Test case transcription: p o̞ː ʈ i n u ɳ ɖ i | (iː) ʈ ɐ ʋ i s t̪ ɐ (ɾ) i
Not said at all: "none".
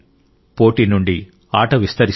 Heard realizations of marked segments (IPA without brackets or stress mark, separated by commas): aː, ɾ